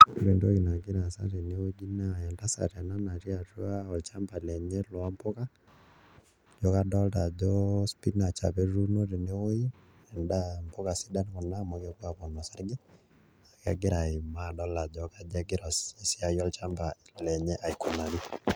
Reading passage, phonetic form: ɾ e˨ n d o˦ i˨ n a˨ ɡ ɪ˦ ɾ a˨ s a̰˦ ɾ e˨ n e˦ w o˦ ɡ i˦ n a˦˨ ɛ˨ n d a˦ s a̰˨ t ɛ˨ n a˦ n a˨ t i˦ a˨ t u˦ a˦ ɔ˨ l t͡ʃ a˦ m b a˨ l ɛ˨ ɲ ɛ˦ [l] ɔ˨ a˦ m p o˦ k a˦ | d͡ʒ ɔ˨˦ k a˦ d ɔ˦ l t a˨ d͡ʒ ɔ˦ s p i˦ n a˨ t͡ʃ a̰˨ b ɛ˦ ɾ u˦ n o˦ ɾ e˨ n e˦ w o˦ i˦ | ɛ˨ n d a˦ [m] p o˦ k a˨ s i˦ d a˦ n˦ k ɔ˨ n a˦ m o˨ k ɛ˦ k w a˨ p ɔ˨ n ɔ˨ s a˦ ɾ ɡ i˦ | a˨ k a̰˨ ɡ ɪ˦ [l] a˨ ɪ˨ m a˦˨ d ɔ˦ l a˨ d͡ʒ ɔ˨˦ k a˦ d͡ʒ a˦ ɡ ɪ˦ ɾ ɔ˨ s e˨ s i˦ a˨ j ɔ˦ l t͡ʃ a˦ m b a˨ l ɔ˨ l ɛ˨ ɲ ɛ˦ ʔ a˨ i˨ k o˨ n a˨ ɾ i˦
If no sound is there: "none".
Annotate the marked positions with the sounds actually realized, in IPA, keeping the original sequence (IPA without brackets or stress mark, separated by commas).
l, m, ɾ